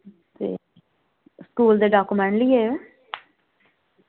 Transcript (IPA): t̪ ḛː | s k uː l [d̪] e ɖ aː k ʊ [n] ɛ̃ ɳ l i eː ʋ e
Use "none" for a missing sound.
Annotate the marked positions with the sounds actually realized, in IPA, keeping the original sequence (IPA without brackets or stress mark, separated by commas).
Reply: d̪, m